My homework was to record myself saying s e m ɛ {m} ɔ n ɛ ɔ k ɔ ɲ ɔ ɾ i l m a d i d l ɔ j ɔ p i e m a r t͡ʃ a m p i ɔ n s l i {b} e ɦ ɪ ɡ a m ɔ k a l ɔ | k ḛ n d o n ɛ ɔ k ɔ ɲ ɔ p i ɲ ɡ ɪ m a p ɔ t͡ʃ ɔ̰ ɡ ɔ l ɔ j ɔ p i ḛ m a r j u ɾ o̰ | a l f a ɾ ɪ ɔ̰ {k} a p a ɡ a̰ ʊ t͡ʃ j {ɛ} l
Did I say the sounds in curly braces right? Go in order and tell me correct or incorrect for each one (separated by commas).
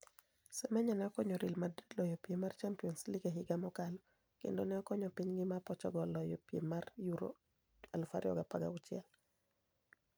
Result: incorrect, incorrect, incorrect, correct